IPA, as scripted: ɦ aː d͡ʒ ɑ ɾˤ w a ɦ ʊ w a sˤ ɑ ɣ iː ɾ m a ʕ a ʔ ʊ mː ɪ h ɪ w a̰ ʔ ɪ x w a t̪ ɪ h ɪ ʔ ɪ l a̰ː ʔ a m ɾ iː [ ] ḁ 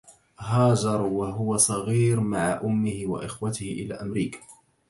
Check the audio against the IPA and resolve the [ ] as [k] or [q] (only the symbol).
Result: k